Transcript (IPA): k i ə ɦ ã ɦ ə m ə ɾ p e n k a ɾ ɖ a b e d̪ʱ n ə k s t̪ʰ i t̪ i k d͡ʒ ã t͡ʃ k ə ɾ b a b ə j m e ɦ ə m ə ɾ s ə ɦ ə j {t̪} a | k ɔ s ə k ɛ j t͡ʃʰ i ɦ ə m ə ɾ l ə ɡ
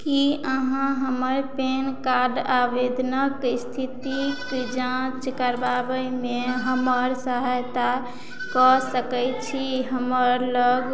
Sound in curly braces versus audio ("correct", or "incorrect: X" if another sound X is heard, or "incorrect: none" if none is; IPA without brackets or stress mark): correct